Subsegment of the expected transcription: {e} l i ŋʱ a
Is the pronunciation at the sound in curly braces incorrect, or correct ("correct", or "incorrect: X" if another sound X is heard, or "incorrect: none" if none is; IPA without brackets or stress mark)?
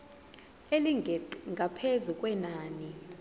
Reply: correct